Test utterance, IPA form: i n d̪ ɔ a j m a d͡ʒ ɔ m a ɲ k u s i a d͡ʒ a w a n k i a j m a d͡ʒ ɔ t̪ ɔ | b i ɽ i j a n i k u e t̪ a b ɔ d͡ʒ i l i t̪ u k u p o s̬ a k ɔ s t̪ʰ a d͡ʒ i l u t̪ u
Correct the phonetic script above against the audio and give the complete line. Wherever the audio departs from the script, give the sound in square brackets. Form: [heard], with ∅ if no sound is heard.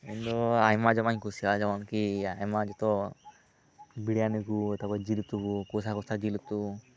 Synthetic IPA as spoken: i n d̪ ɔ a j m a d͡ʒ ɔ m a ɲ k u s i a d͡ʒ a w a n k i a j m a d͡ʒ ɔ t̪ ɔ | b i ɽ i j a n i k u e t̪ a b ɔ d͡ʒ i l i t̪ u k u [k] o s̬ a k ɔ s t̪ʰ a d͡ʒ i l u t̪ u

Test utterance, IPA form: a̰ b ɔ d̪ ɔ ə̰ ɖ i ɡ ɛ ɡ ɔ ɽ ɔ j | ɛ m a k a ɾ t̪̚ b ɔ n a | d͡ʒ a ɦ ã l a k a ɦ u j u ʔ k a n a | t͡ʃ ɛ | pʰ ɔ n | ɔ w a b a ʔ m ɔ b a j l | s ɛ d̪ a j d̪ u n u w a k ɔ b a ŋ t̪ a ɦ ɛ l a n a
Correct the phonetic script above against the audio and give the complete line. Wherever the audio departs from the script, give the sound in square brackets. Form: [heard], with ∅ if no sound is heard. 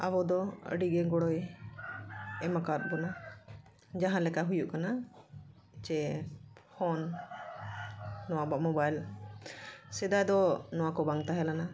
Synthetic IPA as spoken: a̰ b ɔ d̪ ɔ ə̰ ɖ i ɡ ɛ ɡ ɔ ɽ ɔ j | ɛ m a k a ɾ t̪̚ b ɔ n a | d͡ʒ a ɦ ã l [ɛ] k a ɦ u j u ʔ k a n a | t͡ʃ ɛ | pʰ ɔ n | ɔ w a b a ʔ m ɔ b a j l | s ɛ d̪ a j d̪ [ɔ] n [ɔ] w a k ɔ b a ŋ t̪ a ɦ ɛ l a n a

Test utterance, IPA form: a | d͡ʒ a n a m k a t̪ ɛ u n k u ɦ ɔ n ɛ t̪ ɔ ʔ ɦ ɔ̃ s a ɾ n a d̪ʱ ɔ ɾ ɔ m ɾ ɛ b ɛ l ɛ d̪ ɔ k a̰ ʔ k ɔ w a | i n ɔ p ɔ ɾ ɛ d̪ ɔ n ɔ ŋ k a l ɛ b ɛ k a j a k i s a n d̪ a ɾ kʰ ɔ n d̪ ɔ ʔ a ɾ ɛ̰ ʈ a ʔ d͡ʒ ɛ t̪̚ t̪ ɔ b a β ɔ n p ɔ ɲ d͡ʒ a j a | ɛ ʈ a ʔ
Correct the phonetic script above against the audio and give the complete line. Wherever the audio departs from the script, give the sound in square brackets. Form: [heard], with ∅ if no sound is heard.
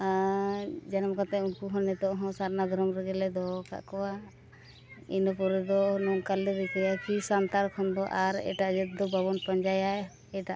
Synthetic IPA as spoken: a | d͡ʒ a n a m k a t̪ ɛ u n k u ɦ ɔ n ɛ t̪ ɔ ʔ ɦ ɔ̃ s a ɾ n a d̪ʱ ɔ ɾ ɔ m ɾ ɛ [ɡ] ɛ l ɛ d̪ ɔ k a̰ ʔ k ɔ w a | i n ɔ p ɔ ɾ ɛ d̪ ɔ n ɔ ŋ k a l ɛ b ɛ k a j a k i s a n [t̪] a ɾ kʰ ɔ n d̪ ɔ ʔ a ɾ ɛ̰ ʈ a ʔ d͡ʒ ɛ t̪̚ [d̪] ɔ b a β ɔ n p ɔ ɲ d͡ʒ a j a | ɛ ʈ a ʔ

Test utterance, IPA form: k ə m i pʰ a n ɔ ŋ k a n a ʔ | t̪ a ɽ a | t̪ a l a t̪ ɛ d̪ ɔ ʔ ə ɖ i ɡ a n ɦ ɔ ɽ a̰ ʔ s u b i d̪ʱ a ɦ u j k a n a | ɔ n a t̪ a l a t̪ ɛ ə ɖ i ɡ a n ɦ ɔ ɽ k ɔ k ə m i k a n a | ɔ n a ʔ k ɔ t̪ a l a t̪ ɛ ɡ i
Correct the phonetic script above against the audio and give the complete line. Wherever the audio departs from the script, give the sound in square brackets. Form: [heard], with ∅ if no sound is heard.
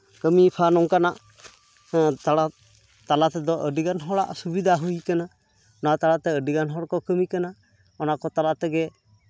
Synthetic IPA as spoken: k ə m i pʰ a n ɔ ŋ k a n a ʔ | t̪ a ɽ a | t̪ a l a t̪ ɛ d̪ ɔ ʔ ə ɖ i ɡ a n ɦ ɔ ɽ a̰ ʔ s u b i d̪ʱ a ɦ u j k a n a | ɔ n a t̪ a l a t̪ ɛ ə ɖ i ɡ a n ɦ ɔ ɽ k ɔ k ə m i k a n a | ɔ n a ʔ k ɔ t̪ a l a t̪ ɛ ɡ [ɛ]

